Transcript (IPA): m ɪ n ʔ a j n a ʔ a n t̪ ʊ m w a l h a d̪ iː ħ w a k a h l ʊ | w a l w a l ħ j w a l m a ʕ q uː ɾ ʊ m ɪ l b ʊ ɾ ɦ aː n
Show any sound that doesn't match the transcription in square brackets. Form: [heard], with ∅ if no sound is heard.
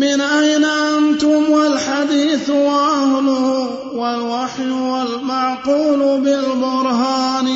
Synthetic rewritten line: m ɪ n ʔ a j n a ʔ a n t̪ ʊ m w a l [ħ] a d̪ iː [θ] w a [ʔ] a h l ʊ | w a l w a [∅] ħ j w a l m a ʕ q uː [l] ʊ [b] ɪ l b ʊ ɾ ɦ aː n